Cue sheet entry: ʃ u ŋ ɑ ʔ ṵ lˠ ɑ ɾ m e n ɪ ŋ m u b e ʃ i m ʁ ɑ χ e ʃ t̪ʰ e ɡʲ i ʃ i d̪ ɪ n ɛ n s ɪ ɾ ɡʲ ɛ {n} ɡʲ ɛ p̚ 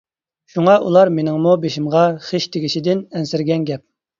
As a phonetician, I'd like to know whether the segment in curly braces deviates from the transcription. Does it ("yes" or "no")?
no